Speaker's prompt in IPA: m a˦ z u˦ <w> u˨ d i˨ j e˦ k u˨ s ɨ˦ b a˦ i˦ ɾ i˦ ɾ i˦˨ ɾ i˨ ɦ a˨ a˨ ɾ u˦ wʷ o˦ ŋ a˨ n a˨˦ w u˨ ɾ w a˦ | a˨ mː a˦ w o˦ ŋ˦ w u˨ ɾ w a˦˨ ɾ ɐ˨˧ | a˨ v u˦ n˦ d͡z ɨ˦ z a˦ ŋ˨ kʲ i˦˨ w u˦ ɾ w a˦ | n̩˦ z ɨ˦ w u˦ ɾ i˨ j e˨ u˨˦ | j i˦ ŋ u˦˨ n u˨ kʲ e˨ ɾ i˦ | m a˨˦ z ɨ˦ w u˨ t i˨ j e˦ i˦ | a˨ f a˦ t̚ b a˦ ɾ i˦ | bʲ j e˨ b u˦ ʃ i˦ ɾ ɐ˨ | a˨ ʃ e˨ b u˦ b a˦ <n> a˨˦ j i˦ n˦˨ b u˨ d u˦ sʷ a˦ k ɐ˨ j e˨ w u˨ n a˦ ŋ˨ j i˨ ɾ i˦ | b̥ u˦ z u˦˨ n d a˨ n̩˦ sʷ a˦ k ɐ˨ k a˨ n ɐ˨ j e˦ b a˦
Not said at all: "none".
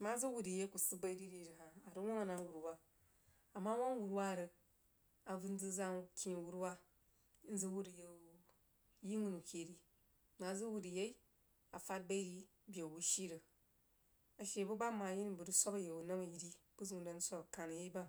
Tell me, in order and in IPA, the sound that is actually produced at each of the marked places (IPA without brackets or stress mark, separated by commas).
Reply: w, m